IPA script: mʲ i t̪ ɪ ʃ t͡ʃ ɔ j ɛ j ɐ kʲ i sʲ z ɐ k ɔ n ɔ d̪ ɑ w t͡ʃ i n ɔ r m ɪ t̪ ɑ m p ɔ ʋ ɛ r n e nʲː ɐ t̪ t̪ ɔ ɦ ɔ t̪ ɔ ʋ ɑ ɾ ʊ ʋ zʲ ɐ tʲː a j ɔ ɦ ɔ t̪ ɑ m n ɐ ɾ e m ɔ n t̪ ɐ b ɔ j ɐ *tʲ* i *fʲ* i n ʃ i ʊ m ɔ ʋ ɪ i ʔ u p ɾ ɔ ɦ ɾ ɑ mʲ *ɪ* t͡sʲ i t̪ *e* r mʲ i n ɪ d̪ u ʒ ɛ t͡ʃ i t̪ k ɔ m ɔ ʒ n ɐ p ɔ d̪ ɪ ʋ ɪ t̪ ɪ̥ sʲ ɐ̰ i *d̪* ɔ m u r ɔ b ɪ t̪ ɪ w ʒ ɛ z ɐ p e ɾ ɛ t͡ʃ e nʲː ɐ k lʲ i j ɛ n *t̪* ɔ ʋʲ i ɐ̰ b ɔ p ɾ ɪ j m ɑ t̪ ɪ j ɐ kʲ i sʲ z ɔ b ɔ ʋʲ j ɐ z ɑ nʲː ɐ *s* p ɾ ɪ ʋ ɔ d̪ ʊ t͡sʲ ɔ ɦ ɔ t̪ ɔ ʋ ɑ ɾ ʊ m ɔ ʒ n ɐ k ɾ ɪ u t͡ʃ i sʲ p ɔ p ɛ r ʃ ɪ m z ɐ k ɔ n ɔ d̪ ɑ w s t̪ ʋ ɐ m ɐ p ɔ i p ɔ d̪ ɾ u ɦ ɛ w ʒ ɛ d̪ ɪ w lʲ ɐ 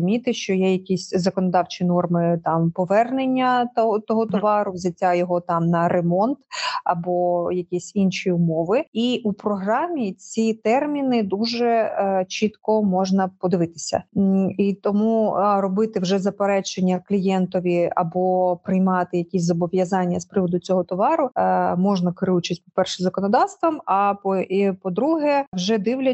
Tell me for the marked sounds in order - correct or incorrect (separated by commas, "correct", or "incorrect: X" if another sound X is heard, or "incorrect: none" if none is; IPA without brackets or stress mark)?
incorrect: kʲ, incorrect: sʲ, incorrect: i, incorrect: ɛ, incorrect: t̪, correct, correct